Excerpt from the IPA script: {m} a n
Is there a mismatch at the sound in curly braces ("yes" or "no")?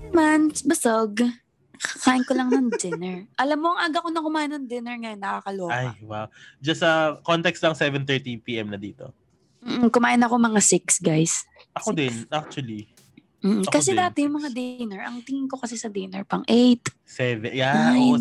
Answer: no